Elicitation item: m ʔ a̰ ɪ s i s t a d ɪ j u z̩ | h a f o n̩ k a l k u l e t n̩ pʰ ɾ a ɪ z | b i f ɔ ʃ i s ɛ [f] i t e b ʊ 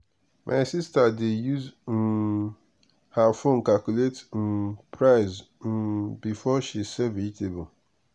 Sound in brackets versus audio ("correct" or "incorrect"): incorrect